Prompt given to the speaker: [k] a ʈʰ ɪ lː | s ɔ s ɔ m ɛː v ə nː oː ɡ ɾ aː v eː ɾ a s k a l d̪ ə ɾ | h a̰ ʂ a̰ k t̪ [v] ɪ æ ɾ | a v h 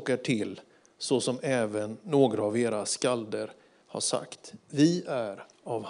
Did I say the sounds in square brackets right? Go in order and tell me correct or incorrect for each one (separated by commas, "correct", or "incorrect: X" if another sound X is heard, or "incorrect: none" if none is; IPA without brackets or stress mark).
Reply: correct, correct